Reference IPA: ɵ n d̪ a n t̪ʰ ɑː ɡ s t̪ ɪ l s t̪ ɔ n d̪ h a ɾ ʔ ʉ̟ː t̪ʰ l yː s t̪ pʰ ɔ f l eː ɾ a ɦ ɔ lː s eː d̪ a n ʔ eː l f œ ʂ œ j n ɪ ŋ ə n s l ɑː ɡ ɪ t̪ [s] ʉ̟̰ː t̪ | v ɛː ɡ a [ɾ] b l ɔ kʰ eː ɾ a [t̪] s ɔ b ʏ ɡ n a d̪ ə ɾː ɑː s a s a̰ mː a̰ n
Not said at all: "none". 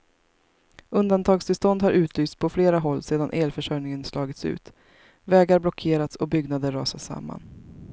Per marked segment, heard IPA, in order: s, ɾ, t̪

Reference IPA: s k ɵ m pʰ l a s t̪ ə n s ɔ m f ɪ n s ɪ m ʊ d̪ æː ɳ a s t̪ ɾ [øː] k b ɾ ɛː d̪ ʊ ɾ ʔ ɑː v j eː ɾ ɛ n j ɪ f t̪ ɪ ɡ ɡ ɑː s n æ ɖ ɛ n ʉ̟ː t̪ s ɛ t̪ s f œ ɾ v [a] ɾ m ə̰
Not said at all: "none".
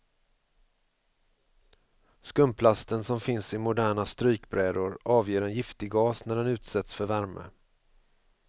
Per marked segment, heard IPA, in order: yː, æ

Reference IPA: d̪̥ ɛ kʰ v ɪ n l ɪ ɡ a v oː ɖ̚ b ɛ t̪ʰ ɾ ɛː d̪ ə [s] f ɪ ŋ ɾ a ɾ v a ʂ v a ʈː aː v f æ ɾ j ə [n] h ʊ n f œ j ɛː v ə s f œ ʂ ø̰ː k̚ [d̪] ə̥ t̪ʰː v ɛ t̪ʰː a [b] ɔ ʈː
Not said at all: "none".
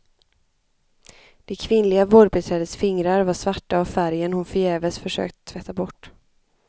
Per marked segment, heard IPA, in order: s, n, t̪, b

